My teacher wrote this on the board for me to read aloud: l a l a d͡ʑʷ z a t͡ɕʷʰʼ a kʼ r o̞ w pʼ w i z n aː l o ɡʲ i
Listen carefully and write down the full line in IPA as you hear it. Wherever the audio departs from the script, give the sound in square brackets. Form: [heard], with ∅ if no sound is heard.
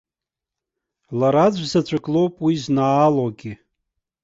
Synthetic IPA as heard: l a [ɾ] a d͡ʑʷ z a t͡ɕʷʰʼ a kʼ [l] o̞ w pʼ w i z n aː l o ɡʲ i